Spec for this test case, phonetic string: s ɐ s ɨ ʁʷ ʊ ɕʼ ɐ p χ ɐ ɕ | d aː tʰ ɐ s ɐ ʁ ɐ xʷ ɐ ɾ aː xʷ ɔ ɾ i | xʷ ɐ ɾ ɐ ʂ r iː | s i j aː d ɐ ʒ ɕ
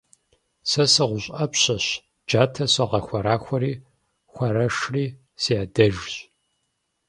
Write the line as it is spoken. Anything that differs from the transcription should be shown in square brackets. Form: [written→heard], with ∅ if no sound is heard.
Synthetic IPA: s ɐ s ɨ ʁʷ ʊ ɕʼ ɐ p [χ→ɕ] ɐ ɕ | [d→d͡ʒ] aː tʰ ɐ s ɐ ʁ ɐ xʷ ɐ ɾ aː xʷ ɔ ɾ [i→iː] | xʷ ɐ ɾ ɐ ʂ r iː | s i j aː d ɐ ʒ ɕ